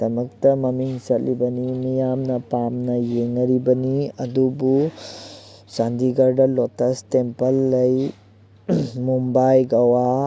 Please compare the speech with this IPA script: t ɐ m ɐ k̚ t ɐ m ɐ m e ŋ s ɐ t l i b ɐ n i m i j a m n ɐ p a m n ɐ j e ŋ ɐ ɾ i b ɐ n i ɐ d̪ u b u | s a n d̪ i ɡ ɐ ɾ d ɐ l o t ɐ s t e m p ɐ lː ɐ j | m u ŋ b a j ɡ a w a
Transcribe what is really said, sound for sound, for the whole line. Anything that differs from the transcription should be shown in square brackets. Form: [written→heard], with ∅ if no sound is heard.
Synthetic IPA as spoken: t ɐ m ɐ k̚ t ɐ m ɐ m [e→i] ŋ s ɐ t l i b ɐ n i m i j a m n ɐ p a m n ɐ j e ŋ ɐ ɾ i b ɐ n i ɐ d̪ u b u | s a n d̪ i ɡ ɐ ɾ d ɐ l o t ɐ s t e m p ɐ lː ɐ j | m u [ŋ→m] b a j ɡ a w a